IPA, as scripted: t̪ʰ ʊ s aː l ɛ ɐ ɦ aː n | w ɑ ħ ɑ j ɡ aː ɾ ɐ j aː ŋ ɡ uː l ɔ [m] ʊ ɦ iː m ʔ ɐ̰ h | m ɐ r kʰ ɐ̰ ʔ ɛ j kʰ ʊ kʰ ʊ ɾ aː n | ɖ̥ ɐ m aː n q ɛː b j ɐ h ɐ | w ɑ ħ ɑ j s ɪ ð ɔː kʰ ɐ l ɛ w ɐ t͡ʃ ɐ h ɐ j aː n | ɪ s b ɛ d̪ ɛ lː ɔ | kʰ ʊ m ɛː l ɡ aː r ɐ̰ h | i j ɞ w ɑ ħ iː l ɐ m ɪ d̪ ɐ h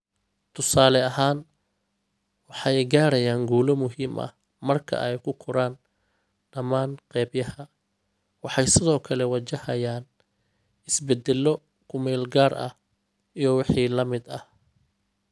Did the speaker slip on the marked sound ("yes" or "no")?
no